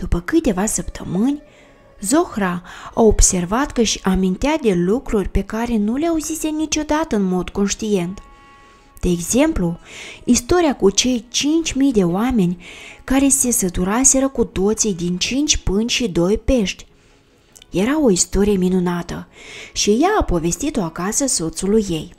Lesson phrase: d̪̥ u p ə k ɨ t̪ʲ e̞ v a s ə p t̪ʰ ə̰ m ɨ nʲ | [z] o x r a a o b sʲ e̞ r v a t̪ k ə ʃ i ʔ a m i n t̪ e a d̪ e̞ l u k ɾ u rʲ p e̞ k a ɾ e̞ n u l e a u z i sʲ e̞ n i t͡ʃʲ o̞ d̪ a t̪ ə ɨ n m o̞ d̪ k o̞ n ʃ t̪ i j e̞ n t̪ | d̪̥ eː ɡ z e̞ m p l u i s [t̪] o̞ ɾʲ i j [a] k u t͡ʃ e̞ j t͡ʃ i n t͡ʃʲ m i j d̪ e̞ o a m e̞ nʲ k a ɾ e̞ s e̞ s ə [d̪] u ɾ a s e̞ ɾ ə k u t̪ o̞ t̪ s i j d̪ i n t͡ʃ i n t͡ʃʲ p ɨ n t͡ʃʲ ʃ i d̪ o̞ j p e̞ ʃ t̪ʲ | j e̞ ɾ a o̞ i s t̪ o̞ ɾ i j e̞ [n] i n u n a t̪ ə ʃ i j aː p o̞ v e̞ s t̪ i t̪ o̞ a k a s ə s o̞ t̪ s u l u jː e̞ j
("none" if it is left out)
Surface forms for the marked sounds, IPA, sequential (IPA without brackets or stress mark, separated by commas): z, t̪, a, t̪, m